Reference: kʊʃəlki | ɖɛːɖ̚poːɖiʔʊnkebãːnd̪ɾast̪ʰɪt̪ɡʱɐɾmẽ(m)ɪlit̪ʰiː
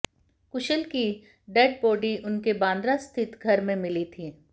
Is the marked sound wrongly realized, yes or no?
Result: no